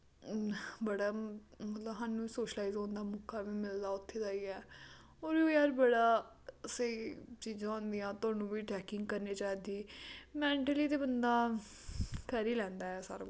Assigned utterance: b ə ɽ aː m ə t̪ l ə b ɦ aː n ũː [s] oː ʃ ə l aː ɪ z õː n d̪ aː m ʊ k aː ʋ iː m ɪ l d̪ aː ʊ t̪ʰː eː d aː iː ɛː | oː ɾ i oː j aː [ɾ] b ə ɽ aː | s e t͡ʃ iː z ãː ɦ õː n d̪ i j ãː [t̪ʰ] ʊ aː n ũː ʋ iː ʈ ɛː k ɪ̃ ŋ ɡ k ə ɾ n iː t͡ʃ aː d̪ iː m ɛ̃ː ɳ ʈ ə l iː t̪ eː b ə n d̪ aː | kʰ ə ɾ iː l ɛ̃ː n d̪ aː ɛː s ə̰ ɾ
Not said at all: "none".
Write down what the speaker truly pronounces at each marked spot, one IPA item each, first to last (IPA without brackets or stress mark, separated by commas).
s, ɾ, t̪